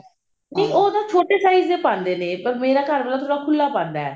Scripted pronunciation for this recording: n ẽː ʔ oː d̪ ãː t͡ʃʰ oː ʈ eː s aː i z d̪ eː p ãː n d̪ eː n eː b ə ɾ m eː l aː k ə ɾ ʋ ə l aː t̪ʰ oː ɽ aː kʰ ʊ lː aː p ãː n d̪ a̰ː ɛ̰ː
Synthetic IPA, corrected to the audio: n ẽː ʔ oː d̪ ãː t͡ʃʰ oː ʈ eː s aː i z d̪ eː p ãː n d̪ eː n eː p ə ɾ m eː ɾ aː k ə ɾ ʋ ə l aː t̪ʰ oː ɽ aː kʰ ʊ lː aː p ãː n d̪ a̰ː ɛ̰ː